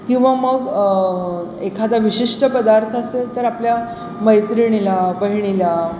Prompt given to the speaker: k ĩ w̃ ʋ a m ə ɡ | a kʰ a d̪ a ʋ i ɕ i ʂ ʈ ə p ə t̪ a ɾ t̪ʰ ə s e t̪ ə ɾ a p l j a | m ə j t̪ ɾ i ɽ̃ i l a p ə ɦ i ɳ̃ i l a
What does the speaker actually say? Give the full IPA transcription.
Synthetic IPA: k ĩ w̃ ʋ a m ə ɡ | e kʰ a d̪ a ʋ i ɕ i ʂ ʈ ə p ə d̪ a ɾ t̪ʰ ə s e t̪ ə ɾ a p l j a | m ə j t̪ ɾ i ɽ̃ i l a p ə ɦ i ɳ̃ i l a